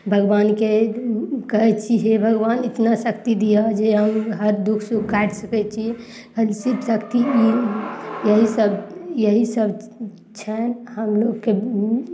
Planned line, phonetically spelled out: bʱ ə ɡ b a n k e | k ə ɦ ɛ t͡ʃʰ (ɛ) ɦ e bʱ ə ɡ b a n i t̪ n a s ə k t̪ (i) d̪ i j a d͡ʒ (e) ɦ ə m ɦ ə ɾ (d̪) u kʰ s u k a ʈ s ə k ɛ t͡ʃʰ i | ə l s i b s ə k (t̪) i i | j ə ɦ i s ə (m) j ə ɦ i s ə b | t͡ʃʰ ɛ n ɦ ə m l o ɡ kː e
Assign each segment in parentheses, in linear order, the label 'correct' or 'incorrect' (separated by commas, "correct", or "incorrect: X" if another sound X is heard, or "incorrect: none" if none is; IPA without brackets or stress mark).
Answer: incorrect: i, correct, correct, correct, correct, incorrect: b